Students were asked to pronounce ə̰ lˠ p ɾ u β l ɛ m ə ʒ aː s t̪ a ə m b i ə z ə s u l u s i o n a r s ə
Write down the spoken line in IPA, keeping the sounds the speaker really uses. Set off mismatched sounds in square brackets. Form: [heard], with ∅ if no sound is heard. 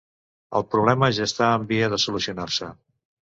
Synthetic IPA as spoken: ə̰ lˠ p ɾ u β l ɛ m ə ʒ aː s t̪ a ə m b i ə [ð] ə s u l u s i [u] n a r s ə